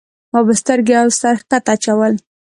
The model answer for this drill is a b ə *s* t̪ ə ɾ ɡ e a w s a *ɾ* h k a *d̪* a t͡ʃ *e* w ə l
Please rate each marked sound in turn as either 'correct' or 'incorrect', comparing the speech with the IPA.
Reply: correct, correct, incorrect, incorrect

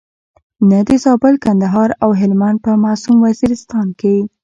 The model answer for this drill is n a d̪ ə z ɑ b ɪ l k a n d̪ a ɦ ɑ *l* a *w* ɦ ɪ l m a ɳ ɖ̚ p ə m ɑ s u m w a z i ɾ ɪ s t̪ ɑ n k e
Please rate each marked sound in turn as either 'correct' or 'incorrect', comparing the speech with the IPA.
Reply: incorrect, correct

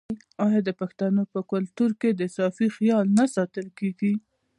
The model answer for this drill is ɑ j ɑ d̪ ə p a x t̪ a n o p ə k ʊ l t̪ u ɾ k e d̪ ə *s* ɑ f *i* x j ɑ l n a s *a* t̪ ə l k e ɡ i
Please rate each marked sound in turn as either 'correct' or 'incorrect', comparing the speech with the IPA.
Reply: correct, correct, incorrect

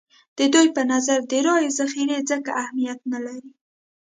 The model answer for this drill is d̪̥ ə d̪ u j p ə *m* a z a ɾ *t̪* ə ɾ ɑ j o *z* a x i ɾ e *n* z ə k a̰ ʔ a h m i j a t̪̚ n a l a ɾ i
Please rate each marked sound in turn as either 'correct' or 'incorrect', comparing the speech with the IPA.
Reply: incorrect, incorrect, correct, incorrect

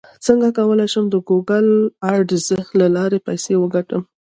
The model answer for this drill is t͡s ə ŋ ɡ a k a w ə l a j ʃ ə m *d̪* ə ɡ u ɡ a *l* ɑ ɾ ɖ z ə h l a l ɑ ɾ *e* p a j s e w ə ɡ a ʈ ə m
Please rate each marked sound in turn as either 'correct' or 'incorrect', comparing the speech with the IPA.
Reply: correct, correct, correct

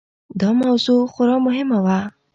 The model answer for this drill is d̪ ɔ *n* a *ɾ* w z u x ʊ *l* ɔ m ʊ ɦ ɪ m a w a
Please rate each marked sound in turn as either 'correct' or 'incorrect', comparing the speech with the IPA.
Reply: incorrect, incorrect, incorrect

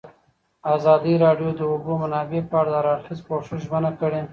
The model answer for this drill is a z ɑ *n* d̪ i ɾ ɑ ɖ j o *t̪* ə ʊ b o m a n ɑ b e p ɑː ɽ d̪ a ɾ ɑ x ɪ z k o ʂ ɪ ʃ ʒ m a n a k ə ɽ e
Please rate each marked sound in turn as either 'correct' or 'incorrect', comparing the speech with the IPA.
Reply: incorrect, incorrect

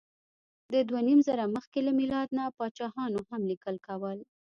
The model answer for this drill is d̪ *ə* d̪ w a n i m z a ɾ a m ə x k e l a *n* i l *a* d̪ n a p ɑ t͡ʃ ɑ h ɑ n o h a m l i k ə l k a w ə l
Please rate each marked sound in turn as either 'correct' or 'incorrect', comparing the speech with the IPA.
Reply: correct, incorrect, incorrect

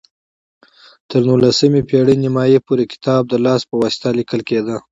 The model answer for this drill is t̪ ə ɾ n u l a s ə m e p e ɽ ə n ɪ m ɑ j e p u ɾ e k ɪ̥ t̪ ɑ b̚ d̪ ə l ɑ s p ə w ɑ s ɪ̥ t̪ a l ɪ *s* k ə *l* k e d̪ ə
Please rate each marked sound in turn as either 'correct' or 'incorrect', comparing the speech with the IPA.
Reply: incorrect, correct

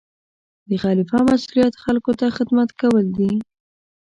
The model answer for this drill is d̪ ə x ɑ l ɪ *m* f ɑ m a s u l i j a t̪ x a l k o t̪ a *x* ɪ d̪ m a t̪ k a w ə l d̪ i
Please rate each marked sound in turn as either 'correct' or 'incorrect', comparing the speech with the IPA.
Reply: incorrect, correct

